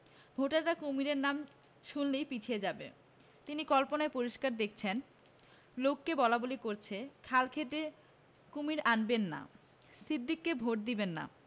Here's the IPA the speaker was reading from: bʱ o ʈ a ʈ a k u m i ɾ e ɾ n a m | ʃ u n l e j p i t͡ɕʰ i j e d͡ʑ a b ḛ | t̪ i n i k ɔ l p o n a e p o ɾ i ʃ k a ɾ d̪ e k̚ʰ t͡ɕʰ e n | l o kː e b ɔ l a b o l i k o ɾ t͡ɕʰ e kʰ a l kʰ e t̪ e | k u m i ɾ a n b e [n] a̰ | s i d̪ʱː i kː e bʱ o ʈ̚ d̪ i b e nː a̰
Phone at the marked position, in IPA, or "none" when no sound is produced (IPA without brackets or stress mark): nː